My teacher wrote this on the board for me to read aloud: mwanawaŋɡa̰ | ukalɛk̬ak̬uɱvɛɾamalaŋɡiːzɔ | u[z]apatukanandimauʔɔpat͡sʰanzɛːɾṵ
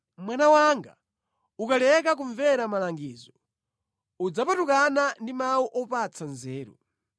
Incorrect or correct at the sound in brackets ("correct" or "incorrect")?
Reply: incorrect